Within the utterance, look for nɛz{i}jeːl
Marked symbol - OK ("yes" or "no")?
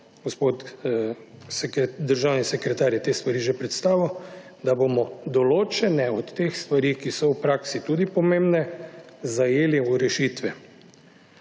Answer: no